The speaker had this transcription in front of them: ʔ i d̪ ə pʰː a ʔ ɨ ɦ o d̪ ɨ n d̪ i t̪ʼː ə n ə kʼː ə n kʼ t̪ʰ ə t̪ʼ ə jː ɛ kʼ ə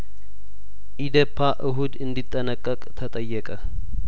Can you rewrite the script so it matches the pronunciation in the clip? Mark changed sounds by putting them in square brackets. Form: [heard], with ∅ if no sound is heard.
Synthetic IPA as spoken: ʔ i d̪ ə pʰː a ʔ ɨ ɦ [u] d̪ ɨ n d̪ i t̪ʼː ə n ə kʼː ə [∅] kʼ t̪ʰ ə t̪ʼ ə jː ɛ kʼ ə